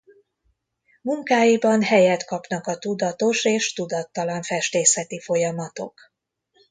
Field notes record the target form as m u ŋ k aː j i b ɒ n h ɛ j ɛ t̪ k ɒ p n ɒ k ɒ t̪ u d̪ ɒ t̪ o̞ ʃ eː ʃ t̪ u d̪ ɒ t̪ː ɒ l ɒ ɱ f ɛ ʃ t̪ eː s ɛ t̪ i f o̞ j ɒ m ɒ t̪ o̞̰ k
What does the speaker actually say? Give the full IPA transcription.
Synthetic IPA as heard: m u ŋ k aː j i b ɒ n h ɛ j ɛ t̪ k ɒ p n ɒ k ɒ t̪ u d̪ ɒ t̪ o̞ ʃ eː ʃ t̪ u d̪ ɒ t̪ː ɒ l ɒ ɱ f ɛ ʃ t̪ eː s ɛ t̪ i f o̞ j ɒ m ɒ t̪ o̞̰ k